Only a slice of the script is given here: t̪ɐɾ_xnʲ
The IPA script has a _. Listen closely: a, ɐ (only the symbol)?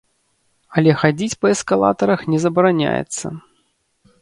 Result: ɐ